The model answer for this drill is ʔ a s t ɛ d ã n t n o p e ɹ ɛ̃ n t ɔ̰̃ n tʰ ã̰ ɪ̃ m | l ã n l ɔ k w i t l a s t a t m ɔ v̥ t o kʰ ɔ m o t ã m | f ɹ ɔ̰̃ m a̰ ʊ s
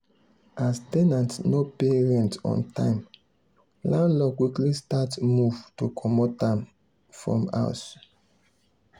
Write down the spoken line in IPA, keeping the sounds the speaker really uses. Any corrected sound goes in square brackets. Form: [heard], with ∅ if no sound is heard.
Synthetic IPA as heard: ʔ a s t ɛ [n] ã n t n o p e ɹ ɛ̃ n t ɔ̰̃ n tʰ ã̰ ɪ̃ m | l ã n l ɔ k w i [k] l [i] s t a t m [u] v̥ t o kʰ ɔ m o t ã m | f ɹ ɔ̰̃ m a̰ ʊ s